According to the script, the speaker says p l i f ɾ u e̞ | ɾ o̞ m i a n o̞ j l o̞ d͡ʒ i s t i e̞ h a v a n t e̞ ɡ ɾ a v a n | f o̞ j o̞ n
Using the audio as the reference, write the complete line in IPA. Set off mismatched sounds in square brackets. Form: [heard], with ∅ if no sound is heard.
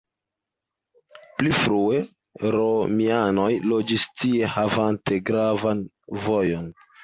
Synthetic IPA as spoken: p l i f ɾ u e̞ | ɾ o̞ m i a n o̞ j l o̞ d͡ʒ i s t i e̞ h a v a n t e̞ ɡ ɾ a v a n | [v] o̞ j o̞ n